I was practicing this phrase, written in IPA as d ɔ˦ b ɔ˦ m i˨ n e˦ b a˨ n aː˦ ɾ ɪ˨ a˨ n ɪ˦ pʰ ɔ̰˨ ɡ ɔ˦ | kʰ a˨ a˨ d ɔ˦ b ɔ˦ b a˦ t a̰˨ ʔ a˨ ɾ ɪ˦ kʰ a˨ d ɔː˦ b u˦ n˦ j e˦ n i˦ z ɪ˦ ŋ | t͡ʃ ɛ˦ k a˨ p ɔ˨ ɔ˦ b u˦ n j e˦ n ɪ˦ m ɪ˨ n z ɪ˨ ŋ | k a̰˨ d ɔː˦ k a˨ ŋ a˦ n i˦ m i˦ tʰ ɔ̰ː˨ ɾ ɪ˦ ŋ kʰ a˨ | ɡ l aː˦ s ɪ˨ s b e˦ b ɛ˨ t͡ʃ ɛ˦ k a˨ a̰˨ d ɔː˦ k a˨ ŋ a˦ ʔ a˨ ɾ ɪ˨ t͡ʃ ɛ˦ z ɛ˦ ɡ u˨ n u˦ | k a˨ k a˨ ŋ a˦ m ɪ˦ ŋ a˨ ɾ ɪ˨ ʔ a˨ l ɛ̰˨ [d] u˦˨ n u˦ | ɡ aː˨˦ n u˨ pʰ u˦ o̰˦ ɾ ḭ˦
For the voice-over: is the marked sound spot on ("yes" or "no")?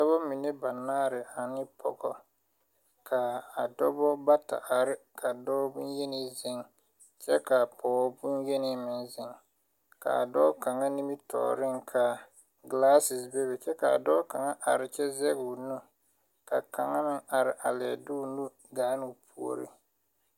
yes